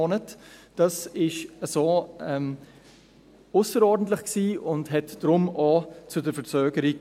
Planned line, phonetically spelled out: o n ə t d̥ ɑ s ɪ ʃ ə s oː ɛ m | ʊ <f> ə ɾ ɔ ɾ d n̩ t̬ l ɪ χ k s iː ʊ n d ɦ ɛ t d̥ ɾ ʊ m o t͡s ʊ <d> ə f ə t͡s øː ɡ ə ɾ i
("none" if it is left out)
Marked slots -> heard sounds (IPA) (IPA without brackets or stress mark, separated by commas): s, d